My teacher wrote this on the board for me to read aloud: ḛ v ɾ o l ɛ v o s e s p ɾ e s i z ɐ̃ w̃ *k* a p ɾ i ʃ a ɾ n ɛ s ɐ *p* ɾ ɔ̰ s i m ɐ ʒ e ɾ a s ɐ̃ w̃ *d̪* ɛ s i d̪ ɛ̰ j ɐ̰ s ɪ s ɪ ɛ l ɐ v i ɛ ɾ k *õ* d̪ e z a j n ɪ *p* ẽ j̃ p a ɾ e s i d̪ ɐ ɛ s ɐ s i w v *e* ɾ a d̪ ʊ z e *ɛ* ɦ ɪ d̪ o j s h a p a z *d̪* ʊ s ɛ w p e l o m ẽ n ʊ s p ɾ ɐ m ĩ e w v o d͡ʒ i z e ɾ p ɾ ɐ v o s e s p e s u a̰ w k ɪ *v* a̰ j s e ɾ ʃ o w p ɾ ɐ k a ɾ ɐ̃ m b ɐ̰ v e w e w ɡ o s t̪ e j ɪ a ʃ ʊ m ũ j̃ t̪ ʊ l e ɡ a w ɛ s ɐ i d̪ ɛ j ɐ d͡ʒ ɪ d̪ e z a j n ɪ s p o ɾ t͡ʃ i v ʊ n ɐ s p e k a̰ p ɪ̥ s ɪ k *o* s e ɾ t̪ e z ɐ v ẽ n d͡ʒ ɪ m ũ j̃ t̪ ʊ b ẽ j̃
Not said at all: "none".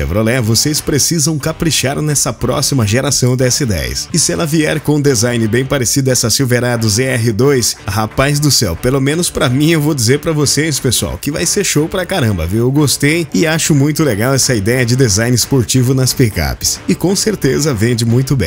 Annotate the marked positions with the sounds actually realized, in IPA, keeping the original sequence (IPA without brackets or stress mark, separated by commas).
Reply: k, p, d̪, õ, b, e, ɛ, d̪, v, õ